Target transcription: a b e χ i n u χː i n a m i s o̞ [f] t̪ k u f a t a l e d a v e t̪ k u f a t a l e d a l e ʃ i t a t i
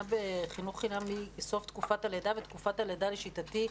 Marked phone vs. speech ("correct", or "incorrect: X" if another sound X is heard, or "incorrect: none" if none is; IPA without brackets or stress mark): correct